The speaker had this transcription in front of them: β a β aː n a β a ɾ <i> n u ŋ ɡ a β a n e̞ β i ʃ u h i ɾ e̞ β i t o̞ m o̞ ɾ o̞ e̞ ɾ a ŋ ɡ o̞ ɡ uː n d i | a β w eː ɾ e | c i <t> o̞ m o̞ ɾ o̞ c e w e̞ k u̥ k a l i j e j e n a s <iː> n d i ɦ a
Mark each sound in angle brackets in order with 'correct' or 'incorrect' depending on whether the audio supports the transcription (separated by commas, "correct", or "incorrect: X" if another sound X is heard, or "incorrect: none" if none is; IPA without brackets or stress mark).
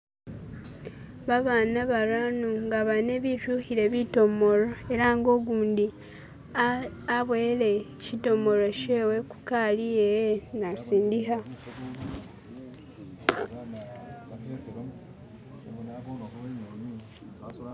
incorrect: a, correct, correct